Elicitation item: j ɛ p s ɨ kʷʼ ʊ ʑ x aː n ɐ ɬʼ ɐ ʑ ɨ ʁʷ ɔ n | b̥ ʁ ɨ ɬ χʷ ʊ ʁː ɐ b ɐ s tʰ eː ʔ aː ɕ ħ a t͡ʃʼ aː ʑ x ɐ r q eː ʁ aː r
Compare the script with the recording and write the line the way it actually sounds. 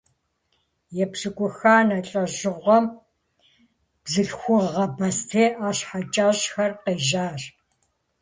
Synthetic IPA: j ɛ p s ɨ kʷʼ ʊ x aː n ɐ ɬʼ ɐ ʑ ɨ ʁʷ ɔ m | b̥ z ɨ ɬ xʷ ʊ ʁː ɐ b ɐ s tʰ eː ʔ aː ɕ ħ a t͡ʃʼ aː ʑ x ɐ r q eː ʒ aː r

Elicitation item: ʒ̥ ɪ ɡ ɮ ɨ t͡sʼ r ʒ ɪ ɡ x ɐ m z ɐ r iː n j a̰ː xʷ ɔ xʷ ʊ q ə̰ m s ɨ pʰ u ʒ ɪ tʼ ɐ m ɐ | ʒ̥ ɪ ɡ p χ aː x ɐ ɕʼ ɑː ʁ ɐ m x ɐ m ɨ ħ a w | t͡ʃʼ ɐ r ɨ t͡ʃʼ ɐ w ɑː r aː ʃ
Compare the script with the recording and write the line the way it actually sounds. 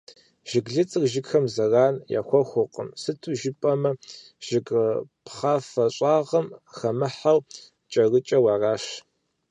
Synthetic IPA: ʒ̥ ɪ ɡ ɮ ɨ t͡sʼ r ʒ ɪ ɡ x ɐ m z ɐ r aː n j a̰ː xʷ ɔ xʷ ʊ q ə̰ m s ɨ tʰ u ʒ ɪ pʼ ɐ m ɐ | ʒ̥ ɪ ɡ p χ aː f ɐ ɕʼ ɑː ʁ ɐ m x ɐ m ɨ ħ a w | t͡ʃʼ ɐ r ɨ t͡ʃʼ ɐ w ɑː r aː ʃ

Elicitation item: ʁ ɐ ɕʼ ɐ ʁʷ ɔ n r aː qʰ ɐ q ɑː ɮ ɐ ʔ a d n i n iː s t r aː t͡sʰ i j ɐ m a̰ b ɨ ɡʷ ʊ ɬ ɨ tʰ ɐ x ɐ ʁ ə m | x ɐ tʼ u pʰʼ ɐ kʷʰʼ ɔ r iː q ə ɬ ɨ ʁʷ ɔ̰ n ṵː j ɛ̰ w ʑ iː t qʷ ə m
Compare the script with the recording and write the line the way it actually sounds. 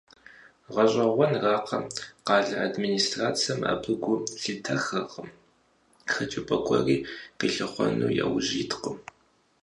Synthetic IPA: ʁ ɐ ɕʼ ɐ ʁʷ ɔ n r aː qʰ ɐ q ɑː ɮ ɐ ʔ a d m i n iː s t r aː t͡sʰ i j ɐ m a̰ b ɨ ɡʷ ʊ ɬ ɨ tʰ ɐ x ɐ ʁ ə m | x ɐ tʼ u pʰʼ ɐ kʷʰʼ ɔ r iː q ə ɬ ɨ χʷ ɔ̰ n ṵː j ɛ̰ w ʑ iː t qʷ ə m

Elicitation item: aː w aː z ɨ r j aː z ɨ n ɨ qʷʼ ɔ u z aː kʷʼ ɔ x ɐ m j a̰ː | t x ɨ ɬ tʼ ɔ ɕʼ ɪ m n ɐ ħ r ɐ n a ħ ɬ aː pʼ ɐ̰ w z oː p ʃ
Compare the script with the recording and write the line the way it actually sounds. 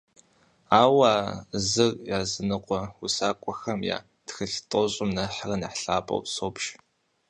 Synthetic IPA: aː w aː z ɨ r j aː z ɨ n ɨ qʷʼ ɔ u s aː kʷʼ ɔ x ɐ m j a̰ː | t x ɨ ɬ tʼ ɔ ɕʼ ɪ m n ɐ ħ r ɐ n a ħ ɬ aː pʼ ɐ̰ w s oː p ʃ

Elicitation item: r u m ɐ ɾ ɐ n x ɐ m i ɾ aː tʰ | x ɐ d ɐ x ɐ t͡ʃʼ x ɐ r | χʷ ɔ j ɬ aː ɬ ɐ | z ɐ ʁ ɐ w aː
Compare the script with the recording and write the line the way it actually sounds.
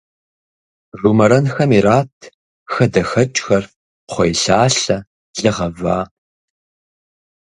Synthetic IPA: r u m ɐ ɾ ɐ n x ɐ m i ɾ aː tʰ | x ɐ d ɐ x ɐ t͡ʃʼ x ɐ r | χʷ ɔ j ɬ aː ɬ ɐ | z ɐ ʁ ɐ v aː

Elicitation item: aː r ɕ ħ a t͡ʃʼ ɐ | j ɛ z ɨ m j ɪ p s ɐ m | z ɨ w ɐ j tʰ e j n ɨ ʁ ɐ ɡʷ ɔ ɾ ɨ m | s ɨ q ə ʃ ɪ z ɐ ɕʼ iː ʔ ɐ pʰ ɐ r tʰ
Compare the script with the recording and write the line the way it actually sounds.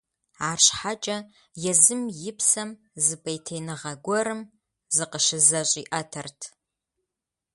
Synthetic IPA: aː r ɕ ħ a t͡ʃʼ ɐ | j ɛ z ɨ m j ɪ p s ɐ m | z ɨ b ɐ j tʰ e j n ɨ ʁ ɐ ɡʷ ɔ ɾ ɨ m | z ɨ q ə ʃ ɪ z ɐ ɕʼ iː ʔ ɐ tʰ ɐ r tʰ

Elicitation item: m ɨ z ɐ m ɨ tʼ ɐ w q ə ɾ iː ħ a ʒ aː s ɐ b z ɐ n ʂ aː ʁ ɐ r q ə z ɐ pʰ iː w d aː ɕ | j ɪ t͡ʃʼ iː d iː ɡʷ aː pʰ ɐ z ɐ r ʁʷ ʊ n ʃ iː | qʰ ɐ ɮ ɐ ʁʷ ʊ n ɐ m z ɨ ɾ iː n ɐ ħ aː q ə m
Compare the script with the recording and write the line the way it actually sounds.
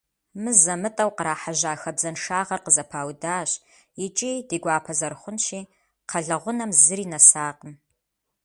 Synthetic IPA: m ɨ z ɐ m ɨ tʼ ɐ w q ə ɾ aː ħ a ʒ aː x ɐ b z ɐ n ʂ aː ʁ ɐ r q ə z ɐ pʰ aː w d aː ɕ | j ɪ t͡ʃʼ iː d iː ɡʷ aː pʰ ɐ z ɐ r χʷ ʊ n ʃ iː | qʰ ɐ ɮ ɐ ʁʷ ʊ n ɐ m z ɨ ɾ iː n ɐ s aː q ə m

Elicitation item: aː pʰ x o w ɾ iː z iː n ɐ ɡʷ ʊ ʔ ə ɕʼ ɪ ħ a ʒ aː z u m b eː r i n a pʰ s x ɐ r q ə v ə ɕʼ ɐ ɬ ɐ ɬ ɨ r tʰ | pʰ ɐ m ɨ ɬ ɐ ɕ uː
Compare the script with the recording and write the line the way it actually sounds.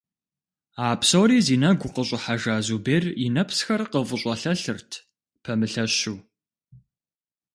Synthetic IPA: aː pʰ s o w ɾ iː z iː n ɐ ɡʷ ʊ q ə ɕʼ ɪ ħ a ʒ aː z u b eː r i n ɐ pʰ s x ɐ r q ə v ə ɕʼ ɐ ɬ ɐ ɬ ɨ r tʰ | pʰ ɐ m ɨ ɬ ɐ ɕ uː

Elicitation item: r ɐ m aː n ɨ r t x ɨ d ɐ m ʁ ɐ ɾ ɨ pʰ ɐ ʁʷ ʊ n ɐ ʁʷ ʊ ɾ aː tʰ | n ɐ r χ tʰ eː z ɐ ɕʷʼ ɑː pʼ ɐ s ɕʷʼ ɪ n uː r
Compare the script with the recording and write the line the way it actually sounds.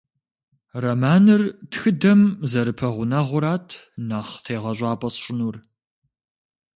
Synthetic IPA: r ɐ m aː n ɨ r t x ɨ d ɐ m z ɐ ɾ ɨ pʰ ɐ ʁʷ ʊ n ɐ ʁʷ ʊ ɾ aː tʰ | n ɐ χ tʰ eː ʁ ɐ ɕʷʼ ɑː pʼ ɐ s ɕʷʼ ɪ n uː r

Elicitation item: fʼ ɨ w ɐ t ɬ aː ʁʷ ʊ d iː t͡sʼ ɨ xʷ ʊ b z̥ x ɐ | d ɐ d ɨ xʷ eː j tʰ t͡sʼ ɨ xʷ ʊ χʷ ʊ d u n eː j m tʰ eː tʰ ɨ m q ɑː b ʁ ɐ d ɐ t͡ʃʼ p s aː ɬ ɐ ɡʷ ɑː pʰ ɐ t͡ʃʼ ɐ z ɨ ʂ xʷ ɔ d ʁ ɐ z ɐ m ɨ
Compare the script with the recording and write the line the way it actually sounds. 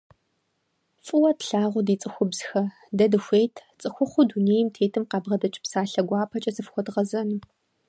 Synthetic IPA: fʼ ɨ w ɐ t ɬ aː ʁʷ ʊ d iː t͡sʼ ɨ xʷ ʊ b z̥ x ɐ | d ɐ d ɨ xʷ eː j tʰ t͡sʼ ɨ xʷ ʊ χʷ ʊ d u n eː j m tʰ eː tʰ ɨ m q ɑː b ʁ ɐ d ɐ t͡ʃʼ p s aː ɬ ɐ ɡʷ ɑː pʰ ɐ t͡ʃʼ ɐ z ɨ f xʷ ɔ d ʁ ɐ z ɐ n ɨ

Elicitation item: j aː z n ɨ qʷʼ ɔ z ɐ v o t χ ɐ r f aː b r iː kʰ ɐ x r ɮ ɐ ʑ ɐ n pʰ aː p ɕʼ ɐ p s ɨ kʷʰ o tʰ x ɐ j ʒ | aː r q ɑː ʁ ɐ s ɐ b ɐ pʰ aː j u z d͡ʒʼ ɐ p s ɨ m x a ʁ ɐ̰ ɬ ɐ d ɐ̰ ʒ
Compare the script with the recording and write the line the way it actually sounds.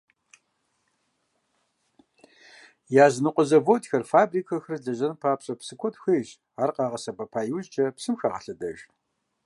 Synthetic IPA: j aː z n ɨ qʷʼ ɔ z ɐ v o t x ɐ r f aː b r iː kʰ ɐ x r ɮ ɐ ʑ ɐ n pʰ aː p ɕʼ ɐ p s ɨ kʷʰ ɔ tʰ x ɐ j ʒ | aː r q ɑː ʁ ɐ s ɐ b ɐ pʰ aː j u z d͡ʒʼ ɐ p s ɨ m x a ʁ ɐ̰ ɬ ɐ d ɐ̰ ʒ

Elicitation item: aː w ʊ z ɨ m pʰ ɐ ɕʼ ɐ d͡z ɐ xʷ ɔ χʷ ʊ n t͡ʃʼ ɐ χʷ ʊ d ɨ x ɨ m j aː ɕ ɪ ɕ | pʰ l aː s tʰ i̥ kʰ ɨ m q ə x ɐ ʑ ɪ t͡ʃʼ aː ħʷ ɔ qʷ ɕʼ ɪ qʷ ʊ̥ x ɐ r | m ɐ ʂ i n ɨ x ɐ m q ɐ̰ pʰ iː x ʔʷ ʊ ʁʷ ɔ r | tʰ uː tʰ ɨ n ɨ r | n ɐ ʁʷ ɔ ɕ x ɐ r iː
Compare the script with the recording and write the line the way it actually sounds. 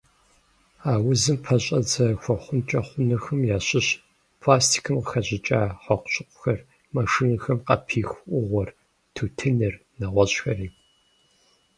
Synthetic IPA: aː w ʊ z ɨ m pʰ ɐ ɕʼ ɐ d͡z ɐ xʷ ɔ χʷ ʊ n t͡ʃʼ ɐ χʷ ʊ n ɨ x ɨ m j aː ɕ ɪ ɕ | pʰ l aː s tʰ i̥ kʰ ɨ m q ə x ɐ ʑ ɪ t͡ʃʼ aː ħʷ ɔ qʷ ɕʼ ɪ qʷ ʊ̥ x ɐ r | m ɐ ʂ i n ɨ x ɐ m q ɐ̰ pʰ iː x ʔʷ ʊ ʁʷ ɔ r | tʰ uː tʰ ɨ n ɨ r | n ɐ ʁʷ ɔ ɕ x ɐ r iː

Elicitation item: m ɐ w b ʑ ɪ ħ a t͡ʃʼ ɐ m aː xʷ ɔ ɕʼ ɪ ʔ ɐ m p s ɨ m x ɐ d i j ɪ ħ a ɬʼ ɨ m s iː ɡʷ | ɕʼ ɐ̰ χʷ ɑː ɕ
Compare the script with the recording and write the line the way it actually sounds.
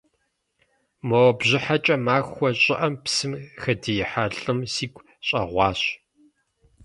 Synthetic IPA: m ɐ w b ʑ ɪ ħ a t͡ʃʼ ɐ m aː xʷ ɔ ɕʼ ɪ ʔ ɐ m p s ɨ m x ɐ d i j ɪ ħ a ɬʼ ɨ m s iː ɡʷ | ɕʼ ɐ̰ ʁʷ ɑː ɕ

